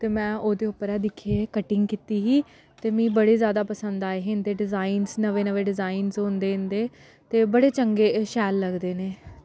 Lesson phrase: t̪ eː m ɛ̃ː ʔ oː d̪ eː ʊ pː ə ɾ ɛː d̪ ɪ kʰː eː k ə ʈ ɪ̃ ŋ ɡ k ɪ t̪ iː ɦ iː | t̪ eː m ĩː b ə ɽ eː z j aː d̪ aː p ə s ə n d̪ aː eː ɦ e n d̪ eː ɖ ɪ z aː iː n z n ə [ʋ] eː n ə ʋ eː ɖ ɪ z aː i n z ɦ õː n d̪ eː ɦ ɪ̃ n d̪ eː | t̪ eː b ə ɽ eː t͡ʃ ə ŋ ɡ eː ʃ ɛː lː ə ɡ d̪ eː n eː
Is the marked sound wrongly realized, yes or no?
no